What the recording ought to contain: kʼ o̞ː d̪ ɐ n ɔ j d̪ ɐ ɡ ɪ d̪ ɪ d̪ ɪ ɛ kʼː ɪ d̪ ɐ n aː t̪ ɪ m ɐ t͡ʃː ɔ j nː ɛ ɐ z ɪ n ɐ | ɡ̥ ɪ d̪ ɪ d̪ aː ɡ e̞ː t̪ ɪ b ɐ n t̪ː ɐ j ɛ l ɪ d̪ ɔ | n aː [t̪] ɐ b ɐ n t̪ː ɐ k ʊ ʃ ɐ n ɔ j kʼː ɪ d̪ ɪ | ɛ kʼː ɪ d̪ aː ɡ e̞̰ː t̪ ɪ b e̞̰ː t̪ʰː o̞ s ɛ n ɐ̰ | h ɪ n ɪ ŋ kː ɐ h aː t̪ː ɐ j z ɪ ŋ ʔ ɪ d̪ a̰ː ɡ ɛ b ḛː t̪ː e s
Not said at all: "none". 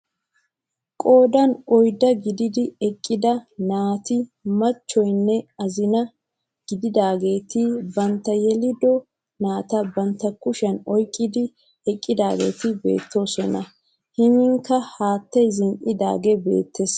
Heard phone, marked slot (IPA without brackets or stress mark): t̪